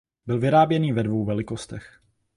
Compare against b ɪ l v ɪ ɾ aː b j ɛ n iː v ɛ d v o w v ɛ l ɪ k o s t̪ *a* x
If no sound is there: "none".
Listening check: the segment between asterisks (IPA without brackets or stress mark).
ɛ